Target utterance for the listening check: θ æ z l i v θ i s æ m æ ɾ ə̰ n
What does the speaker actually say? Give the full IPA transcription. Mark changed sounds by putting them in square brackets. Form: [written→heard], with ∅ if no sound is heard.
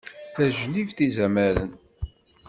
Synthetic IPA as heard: θ æ [z→ʒ] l i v θ i [s→z] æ m æ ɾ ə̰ n